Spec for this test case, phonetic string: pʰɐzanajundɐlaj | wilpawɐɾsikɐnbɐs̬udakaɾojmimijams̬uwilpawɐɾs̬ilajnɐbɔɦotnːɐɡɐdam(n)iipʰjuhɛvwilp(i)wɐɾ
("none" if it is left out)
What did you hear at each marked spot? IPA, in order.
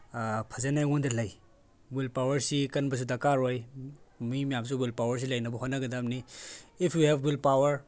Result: n, a

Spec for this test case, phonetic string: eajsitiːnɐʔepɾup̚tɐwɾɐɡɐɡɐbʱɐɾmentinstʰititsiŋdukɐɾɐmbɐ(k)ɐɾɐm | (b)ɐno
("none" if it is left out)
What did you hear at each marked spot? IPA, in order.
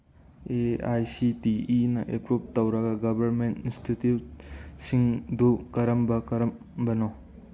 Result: k, b

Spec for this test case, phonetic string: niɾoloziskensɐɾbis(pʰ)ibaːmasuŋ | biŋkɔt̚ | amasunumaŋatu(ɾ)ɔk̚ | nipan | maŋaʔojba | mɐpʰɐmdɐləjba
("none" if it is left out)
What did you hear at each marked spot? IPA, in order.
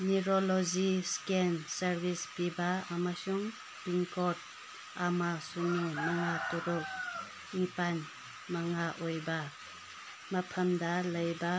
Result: p, ɾ

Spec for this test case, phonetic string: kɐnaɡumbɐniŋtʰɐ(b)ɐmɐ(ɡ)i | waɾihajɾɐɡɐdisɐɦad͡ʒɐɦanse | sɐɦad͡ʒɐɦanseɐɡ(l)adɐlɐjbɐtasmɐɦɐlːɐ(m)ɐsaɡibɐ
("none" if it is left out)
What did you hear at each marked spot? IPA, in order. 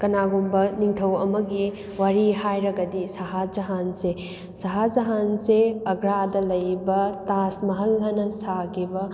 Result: w, ɡ, ɾ, n

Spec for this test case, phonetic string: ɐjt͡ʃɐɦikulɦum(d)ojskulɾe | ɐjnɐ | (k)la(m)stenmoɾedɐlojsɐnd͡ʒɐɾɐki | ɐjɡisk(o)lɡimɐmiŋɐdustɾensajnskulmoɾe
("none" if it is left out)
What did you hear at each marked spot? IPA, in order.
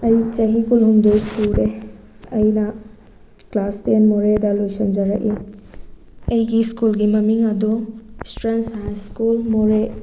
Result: d, k, none, u

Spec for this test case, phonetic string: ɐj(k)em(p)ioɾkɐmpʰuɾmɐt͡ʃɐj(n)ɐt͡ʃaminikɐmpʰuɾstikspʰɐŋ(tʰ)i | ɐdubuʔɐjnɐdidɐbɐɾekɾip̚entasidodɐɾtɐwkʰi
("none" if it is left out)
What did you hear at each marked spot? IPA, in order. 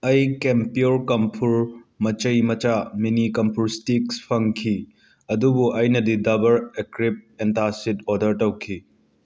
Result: k, p, m, kʰ

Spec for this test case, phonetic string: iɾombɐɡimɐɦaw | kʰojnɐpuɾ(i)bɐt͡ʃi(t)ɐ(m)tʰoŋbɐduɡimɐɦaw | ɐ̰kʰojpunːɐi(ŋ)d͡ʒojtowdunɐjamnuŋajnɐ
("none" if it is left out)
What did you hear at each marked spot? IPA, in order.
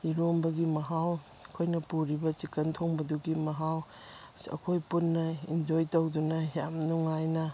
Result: i, k, n, n

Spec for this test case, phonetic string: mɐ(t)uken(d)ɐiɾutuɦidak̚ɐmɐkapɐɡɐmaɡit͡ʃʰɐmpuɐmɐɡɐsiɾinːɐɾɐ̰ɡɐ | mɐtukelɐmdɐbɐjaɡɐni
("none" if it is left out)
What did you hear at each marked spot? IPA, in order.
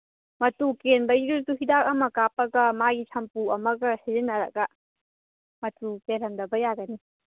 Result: t, b

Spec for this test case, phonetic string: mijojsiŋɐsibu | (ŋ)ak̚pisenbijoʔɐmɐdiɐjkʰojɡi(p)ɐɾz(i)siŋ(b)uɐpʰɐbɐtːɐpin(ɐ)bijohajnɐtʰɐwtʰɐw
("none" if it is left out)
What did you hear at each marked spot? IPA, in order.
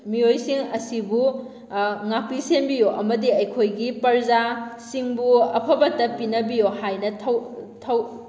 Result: ŋ, p, a, b, ɐ

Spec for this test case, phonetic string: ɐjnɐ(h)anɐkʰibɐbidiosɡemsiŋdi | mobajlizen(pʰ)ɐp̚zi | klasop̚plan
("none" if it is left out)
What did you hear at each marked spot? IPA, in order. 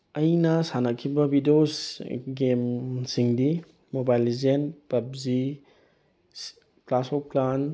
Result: s, p

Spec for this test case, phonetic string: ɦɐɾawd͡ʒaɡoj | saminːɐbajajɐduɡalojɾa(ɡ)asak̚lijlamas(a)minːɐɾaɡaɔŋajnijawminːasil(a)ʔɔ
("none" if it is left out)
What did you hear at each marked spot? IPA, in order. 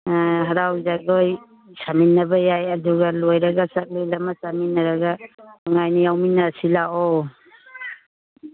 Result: ɡ, a, a

